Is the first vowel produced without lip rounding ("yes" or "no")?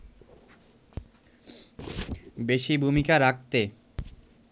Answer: yes